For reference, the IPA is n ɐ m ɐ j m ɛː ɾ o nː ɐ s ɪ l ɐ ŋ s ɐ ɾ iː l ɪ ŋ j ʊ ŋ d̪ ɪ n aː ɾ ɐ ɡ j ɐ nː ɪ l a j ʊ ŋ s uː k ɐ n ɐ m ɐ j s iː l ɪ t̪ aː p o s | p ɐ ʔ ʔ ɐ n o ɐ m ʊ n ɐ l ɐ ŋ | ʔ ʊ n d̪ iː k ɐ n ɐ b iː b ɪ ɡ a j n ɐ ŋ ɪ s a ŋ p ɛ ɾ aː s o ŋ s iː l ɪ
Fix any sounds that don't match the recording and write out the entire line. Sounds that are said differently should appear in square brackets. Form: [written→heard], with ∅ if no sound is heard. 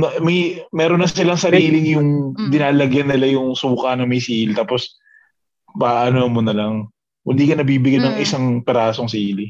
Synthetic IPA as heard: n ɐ m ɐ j m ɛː ɾ o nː ɐ s ɪ l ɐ ŋ s ɐ ɾ iː l ɪ ŋ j ʊ ŋ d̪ ɪ n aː [ɾ→l] ɐ ɡ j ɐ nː ɪ l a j ʊ ŋ s uː k ɐ n ɐ m ɐ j s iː l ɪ t̪ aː p o s | p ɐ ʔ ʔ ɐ n o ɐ m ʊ n ɐ l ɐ ŋ | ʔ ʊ n d̪ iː k ɐ n ɐ b iː b ɪ ɡ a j n ɐ ŋ ɪ s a ŋ p ɛ ɾ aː s o ŋ s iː l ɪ